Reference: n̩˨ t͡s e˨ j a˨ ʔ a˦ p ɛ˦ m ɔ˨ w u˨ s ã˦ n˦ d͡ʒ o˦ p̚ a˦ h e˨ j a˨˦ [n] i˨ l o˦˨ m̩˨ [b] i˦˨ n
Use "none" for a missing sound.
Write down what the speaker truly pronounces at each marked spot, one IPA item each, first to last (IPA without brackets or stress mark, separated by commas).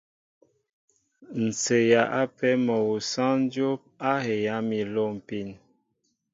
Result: m, p